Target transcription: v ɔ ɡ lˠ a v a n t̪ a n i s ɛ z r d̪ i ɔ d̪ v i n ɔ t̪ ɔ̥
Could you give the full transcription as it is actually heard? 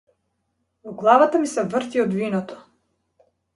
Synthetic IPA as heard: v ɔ ɡ lˠ a v a t̪ a m i s ɛ v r t̪ i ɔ d̪ v i n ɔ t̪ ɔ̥